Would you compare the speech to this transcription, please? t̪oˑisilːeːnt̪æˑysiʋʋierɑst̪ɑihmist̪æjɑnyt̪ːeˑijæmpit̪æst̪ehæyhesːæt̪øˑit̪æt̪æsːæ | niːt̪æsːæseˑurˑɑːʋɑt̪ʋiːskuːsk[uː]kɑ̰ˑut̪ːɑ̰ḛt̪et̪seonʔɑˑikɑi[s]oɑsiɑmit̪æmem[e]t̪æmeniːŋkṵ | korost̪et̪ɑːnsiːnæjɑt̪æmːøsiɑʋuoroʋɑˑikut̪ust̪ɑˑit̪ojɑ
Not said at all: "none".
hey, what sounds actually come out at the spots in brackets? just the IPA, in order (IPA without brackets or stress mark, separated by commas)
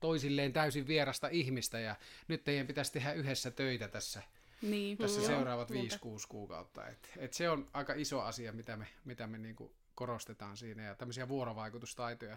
uː, s, i